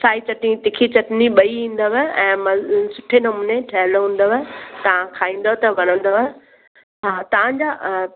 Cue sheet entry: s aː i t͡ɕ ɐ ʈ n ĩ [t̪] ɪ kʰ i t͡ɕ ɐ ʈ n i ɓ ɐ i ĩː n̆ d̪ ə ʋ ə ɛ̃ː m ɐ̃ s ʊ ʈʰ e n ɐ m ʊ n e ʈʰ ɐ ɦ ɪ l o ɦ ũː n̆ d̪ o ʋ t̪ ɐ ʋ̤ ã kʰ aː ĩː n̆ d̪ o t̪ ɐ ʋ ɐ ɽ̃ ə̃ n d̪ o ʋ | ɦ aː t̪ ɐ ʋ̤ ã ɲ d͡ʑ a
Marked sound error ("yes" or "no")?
no